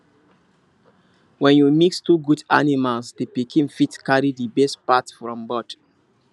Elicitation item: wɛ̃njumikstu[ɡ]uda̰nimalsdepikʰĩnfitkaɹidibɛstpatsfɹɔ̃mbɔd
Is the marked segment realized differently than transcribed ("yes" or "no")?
no